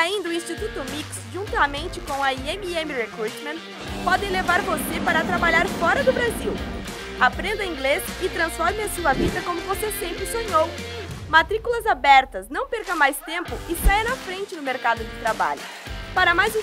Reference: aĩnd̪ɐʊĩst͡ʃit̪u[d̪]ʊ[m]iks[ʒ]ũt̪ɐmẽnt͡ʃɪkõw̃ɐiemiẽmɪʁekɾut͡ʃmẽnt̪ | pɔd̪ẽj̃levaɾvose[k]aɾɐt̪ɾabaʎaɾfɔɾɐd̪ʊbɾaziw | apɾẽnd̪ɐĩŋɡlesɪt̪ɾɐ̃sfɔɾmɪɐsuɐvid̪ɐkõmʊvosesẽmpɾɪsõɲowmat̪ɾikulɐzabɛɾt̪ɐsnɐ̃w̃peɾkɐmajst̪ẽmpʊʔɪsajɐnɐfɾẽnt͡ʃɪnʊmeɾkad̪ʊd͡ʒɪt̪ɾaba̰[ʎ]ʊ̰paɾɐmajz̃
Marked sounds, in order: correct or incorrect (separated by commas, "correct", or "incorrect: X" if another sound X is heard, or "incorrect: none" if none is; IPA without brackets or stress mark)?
incorrect: t̪, correct, correct, incorrect: p, correct